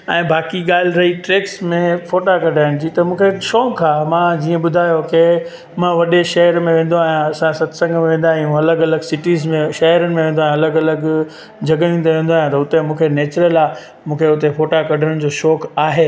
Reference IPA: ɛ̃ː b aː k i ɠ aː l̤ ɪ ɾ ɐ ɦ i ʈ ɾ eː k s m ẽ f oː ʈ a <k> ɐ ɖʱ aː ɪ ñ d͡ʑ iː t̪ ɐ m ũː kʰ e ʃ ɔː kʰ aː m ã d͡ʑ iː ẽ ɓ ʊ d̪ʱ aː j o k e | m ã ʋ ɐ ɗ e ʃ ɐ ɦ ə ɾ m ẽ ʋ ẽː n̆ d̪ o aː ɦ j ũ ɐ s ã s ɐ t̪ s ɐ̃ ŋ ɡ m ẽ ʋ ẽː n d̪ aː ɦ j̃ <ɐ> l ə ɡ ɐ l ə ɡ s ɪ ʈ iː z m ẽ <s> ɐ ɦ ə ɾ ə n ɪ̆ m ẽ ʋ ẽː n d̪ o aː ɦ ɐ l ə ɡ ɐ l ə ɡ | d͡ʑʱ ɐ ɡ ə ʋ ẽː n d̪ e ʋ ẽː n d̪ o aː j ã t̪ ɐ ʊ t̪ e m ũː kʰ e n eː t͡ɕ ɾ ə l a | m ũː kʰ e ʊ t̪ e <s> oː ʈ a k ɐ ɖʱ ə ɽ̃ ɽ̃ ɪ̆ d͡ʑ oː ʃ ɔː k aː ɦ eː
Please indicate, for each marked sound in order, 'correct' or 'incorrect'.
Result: correct, correct, incorrect, incorrect

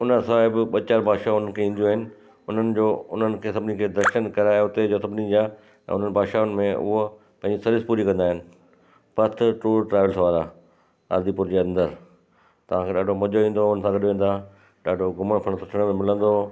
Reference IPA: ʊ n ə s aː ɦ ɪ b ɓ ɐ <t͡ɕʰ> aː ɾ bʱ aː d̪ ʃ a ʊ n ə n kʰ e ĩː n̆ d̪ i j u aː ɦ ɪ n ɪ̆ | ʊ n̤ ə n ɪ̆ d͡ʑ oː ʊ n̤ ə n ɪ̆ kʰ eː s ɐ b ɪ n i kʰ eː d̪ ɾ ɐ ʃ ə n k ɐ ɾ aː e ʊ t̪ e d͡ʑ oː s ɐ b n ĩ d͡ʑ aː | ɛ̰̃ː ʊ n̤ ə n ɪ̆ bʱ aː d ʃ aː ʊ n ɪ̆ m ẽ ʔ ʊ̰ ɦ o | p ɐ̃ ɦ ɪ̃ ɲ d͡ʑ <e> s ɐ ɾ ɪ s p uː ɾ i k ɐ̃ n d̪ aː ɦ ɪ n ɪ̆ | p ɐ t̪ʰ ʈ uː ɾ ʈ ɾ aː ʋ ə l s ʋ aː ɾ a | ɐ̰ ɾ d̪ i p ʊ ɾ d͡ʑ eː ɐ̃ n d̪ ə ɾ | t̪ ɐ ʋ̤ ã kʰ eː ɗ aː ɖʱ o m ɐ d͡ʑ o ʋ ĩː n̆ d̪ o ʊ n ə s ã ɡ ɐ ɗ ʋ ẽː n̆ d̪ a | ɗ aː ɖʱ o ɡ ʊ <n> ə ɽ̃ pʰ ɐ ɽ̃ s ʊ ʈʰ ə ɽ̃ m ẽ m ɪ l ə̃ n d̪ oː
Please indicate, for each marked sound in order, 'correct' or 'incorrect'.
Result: incorrect, incorrect, incorrect

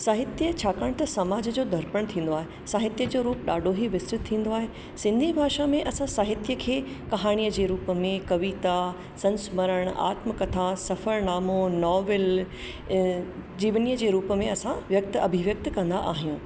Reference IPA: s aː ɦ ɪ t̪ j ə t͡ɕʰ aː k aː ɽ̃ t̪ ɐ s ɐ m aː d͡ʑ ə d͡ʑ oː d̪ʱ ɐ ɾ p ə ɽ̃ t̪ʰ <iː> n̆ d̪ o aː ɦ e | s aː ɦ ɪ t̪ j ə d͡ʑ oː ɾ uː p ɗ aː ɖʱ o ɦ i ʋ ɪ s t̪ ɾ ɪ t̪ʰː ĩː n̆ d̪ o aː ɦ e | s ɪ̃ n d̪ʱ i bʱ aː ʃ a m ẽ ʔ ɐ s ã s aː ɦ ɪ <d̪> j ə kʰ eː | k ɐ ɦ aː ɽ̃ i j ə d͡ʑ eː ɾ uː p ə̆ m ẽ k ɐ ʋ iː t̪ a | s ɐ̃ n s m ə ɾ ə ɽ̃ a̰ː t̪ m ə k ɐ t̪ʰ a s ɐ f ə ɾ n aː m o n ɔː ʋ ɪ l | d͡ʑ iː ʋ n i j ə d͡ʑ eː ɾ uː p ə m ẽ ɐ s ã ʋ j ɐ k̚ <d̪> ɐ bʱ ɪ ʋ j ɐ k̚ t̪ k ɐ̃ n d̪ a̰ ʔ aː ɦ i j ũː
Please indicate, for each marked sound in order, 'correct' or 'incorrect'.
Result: incorrect, incorrect, incorrect

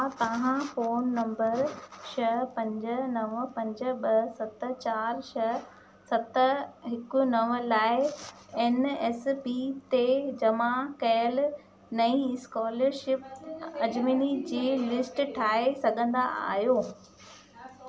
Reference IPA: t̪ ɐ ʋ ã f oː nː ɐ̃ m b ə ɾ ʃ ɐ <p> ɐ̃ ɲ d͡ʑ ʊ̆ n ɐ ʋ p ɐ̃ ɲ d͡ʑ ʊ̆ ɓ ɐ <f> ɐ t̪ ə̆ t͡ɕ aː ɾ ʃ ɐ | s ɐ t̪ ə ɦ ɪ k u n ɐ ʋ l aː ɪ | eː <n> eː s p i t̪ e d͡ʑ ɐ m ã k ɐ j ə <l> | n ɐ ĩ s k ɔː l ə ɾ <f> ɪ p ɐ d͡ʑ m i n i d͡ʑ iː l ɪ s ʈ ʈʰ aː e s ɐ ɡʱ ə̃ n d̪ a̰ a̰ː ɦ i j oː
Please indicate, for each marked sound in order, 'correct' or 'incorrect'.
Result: correct, incorrect, correct, correct, incorrect

